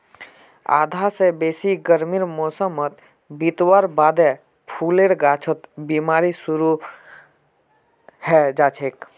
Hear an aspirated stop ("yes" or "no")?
yes